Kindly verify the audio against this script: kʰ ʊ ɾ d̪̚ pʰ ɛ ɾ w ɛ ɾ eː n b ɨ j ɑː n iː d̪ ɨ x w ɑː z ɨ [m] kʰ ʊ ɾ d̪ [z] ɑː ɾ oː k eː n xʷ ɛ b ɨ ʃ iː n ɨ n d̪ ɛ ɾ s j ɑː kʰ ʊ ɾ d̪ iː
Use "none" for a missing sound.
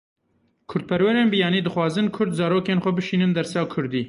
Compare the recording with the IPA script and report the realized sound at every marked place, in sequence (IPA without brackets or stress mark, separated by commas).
n, z